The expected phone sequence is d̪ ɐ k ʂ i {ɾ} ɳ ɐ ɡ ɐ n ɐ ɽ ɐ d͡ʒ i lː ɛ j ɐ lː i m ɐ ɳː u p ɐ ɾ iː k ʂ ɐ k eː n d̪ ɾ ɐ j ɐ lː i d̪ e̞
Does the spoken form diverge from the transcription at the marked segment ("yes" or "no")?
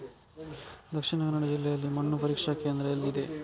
yes